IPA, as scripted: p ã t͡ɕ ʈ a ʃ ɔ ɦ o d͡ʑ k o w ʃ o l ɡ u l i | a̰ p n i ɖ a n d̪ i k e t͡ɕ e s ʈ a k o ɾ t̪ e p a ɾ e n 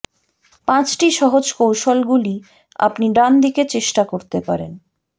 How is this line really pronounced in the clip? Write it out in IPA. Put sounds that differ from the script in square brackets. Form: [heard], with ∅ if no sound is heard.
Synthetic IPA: p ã t͡ɕ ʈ [i] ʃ ɔ ɦ o d͡ʑ k o w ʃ o l ɡ u l i | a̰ p n i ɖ a n d̪ i k e t͡ɕ e [ʃ] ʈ a k o ɾ t̪ e p a ɾ e n